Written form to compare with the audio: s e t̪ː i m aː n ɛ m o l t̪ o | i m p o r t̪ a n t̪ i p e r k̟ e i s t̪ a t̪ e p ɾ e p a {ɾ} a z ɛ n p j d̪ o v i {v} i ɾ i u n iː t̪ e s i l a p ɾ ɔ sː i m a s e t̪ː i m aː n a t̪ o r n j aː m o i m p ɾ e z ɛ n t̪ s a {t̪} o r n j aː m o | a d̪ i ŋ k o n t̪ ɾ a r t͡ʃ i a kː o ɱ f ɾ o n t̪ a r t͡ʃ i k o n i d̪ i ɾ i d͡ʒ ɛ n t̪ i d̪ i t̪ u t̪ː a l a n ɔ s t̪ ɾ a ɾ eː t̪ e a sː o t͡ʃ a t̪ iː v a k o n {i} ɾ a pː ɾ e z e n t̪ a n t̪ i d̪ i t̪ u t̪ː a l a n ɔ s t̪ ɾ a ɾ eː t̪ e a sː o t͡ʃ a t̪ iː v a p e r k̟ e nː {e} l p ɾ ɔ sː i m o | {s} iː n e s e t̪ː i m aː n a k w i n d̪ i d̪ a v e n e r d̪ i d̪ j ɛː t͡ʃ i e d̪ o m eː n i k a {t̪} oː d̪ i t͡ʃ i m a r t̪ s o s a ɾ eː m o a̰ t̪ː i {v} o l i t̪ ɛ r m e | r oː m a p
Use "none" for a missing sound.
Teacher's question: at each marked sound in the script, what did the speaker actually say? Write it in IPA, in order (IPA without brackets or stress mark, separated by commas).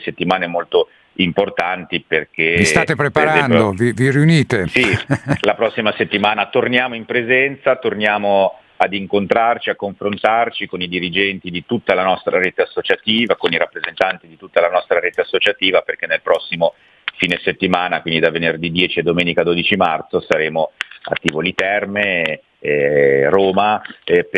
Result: ɾ, v, t̪, i, e, f, d̪, v